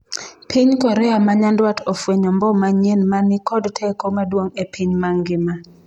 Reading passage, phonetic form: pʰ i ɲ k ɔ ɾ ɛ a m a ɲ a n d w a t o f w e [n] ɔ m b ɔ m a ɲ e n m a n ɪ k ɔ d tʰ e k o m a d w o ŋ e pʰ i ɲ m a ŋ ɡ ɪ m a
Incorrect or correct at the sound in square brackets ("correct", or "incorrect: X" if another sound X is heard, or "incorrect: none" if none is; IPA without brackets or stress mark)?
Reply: incorrect: ɲ